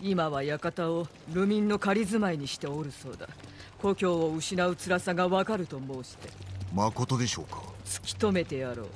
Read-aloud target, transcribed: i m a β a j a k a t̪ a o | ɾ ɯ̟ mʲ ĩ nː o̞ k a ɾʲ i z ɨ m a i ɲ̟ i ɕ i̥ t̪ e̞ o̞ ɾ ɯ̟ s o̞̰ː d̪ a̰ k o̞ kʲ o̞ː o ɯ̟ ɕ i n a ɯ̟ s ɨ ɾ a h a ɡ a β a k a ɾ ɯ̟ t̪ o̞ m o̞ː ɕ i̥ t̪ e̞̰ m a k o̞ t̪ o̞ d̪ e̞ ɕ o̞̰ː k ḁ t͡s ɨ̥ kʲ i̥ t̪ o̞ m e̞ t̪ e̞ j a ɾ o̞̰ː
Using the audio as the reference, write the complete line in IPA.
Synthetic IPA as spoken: i m a β a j a k a t̪ a o | ɾ ɯ̟ mʲ ĩ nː o̞ k a ɾʲ i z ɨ m a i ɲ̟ i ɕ i̥ t̪ e̞ o̞ ɾ ɯ̟ s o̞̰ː d̪ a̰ k o̞ kʲ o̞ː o ɯ̟ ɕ i n a ɯ̟ t͡s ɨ ɾ a s a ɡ a β a k a ɾ ɯ̟ t̪ o̞ m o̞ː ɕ i̥ t̪ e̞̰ m a k o̞ t̪ o̞ d̪ e̞ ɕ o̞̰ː k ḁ t͡s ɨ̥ kʲ i̥ t̪ o̞ m e̞ t̪ e̞ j a ɾ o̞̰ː